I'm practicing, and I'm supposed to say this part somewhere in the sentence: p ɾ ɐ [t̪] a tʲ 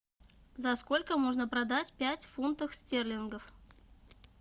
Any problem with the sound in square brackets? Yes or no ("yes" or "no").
yes